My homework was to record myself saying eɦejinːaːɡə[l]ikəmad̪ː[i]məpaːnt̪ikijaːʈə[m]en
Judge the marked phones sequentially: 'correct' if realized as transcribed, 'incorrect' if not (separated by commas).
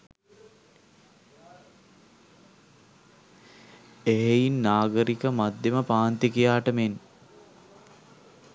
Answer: incorrect, incorrect, correct